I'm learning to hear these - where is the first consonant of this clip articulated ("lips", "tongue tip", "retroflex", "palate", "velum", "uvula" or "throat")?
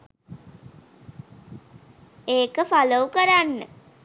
velum